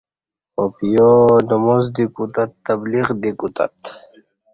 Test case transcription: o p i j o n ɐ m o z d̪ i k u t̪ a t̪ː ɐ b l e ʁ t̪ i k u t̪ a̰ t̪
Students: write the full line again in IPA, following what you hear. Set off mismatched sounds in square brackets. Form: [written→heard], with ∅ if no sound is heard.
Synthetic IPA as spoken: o p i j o n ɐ m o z d̪ i k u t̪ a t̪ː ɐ b l [e→i] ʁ [t̪→d̪] i k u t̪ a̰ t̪